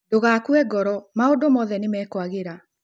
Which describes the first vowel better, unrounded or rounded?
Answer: rounded